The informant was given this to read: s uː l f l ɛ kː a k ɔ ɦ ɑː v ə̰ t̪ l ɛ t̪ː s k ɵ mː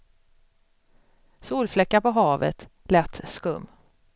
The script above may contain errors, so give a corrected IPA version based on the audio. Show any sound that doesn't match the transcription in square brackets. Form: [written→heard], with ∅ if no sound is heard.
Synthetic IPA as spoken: s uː l f l ɛ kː a [k→p] ɔ ɦ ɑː v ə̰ t̪ l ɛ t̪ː s k ɵ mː